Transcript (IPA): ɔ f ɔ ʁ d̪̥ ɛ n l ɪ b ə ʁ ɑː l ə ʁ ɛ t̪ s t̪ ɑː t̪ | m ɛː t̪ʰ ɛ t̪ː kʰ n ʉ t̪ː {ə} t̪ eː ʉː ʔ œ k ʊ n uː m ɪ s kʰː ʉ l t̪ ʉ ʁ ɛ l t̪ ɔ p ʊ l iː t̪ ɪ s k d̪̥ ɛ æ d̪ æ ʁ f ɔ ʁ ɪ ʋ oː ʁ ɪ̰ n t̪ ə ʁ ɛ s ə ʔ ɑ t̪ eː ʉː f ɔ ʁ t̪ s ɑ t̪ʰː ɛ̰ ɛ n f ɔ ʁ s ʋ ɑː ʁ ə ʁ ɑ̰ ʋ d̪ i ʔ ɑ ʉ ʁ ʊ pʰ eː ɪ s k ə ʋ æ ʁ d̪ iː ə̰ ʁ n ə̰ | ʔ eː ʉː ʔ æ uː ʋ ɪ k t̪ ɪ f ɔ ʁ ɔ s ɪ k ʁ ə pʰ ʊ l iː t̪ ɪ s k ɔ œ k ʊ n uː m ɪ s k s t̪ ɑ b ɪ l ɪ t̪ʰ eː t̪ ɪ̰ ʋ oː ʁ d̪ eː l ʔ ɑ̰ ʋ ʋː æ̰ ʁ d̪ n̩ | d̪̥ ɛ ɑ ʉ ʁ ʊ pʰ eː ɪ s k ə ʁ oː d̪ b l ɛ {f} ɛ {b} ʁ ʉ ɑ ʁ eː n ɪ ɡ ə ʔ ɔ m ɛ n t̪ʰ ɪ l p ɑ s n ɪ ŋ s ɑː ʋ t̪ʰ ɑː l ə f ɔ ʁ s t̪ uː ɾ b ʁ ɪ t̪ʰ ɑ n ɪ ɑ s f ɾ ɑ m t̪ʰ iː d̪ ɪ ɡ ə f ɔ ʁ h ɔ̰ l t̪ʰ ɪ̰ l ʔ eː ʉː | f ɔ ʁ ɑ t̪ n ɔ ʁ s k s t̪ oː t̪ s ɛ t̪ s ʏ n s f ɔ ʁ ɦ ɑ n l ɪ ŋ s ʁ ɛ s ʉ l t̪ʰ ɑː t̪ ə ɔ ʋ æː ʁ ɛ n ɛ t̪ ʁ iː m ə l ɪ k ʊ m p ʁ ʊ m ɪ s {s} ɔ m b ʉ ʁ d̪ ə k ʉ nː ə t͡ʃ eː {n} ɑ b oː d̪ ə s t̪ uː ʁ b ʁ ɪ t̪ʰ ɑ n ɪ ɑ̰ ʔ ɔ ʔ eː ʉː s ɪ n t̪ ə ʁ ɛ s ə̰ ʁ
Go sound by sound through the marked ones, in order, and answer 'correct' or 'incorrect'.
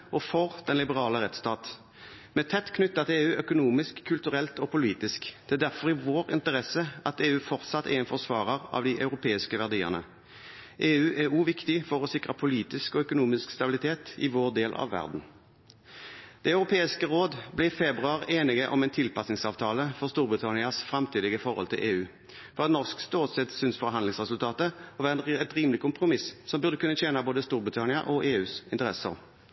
incorrect, correct, correct, correct, correct

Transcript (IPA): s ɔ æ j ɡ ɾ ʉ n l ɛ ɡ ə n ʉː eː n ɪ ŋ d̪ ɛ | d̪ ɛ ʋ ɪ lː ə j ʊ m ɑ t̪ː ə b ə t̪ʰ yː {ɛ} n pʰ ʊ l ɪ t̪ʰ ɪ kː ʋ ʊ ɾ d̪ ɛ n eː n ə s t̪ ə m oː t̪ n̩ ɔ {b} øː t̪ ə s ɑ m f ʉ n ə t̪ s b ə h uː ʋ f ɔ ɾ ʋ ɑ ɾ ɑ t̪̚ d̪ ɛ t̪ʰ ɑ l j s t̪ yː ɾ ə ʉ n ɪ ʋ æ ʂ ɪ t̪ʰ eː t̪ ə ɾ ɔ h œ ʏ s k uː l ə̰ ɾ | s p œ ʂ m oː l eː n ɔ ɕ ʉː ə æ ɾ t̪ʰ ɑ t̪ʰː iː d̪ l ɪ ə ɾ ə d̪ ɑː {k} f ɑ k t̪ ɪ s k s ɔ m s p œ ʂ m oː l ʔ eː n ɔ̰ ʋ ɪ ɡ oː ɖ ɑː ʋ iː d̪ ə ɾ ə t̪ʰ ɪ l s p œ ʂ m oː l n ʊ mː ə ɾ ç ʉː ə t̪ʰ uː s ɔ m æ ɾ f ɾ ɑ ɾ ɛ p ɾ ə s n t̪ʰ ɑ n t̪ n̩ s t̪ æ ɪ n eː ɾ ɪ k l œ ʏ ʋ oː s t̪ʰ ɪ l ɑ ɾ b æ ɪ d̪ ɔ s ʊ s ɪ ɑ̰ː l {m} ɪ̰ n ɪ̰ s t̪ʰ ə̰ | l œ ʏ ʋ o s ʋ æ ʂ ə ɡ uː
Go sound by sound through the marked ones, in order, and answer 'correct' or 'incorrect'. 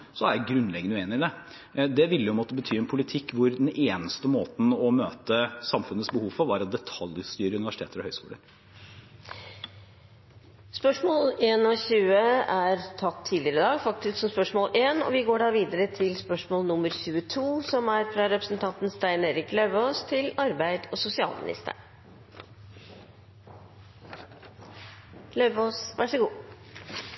correct, incorrect, incorrect, correct

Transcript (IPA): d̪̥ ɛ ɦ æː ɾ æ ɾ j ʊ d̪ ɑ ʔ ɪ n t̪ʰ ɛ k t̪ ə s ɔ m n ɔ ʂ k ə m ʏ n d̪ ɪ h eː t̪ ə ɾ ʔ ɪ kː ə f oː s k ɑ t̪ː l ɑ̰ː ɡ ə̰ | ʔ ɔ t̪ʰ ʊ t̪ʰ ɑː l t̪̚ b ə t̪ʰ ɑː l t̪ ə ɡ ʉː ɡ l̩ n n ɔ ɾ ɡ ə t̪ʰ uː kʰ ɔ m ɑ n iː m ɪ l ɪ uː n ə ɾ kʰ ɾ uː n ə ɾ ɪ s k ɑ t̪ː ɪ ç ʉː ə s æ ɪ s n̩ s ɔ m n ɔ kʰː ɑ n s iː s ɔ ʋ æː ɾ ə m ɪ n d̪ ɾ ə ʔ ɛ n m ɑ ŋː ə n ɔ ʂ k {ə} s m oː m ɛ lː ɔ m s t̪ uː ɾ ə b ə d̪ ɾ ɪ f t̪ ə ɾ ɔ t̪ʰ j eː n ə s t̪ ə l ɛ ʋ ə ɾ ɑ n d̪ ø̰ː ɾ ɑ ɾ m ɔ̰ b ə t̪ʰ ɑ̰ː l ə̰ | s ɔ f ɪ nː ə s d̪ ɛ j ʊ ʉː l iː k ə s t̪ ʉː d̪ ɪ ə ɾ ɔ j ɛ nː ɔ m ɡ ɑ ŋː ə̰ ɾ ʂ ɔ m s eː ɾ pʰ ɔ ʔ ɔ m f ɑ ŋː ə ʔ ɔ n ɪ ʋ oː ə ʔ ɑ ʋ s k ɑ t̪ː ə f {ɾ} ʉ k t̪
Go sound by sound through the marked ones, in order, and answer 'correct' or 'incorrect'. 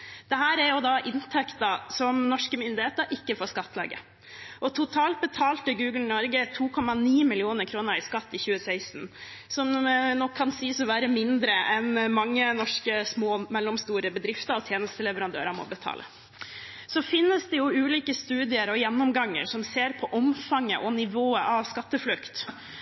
correct, incorrect

